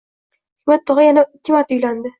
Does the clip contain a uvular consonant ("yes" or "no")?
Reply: yes